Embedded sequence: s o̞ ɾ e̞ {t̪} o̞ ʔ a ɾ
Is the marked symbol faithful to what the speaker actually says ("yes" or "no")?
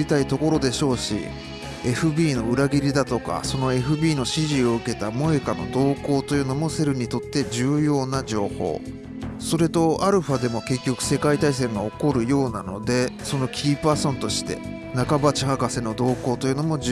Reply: yes